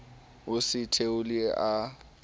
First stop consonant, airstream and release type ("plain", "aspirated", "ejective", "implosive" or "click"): aspirated